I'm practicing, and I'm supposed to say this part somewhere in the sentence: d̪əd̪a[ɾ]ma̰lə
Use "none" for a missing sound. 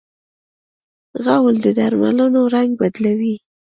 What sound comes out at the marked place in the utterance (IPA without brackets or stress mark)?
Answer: ɾ